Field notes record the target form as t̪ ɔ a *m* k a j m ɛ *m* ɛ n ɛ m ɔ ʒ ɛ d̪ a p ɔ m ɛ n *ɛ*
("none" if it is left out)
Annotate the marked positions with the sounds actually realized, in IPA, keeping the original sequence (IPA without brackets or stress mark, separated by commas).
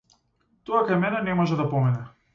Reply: none, n, ɛ